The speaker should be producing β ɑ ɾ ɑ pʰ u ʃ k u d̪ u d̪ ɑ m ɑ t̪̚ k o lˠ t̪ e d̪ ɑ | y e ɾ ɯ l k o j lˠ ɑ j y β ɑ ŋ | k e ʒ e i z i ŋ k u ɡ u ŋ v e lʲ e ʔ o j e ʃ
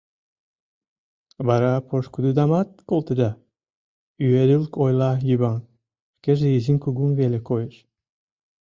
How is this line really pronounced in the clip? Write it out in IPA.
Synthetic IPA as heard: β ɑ ɾ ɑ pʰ o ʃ k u d̪ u d̪ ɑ m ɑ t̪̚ k o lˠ t̪ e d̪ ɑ | y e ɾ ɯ l k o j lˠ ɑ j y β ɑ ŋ | k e ʒ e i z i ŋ k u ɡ u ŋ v e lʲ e k o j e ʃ